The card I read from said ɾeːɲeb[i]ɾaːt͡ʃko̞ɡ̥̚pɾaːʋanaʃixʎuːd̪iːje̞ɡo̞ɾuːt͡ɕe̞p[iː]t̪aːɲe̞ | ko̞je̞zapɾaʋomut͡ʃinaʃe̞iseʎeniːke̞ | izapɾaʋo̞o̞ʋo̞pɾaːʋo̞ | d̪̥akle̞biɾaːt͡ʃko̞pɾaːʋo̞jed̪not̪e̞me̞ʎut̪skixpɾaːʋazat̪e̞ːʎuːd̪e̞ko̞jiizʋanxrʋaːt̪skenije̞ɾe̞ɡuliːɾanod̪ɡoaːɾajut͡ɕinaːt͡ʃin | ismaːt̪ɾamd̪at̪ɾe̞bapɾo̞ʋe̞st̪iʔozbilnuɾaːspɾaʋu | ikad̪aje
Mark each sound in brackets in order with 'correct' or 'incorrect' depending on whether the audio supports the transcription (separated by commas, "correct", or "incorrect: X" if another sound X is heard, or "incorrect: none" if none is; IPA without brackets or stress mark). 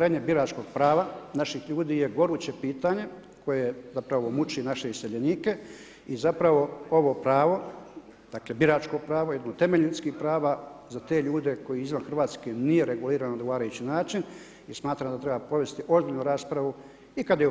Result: correct, correct